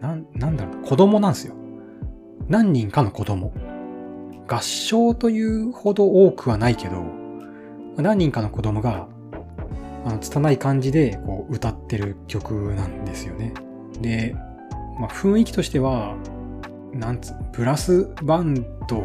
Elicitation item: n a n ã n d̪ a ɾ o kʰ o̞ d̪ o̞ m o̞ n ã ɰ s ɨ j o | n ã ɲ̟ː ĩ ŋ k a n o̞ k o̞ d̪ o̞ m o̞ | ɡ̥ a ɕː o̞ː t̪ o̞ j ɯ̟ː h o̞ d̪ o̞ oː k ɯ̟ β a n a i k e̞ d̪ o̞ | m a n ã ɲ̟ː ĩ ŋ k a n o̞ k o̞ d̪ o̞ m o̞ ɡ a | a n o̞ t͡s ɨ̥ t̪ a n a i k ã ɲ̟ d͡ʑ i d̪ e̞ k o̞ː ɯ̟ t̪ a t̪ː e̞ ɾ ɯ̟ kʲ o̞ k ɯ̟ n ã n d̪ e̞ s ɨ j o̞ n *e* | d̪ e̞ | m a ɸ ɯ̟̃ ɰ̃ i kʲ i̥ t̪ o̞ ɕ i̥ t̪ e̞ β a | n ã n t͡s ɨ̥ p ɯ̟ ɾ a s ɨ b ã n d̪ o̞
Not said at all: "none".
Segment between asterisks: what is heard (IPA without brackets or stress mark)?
e